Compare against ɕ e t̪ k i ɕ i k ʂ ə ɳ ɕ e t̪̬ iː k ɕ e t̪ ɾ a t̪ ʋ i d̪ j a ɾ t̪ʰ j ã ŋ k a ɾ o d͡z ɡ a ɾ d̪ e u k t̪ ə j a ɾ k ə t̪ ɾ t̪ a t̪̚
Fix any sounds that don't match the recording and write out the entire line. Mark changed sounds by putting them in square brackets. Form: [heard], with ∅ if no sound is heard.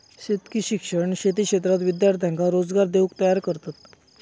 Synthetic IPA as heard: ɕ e t̪ k i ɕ i k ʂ ə ɳ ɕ e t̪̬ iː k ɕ e t̪ ɾ a t̪ ʋ i d̪ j a ɾ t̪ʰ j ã ŋ k a ɾ o d͡z ɡ a ɾ d̪ e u k t̪ ə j a ɾ k ə [∅] ɾ t̪ a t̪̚